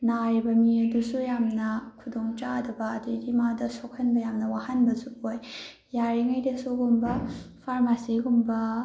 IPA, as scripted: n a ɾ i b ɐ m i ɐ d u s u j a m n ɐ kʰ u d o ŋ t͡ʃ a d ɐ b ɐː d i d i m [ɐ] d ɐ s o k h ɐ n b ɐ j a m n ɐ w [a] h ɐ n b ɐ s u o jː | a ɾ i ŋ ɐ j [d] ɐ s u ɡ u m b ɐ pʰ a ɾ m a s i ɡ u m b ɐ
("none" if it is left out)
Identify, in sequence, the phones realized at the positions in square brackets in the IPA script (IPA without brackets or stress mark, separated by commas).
a, a, d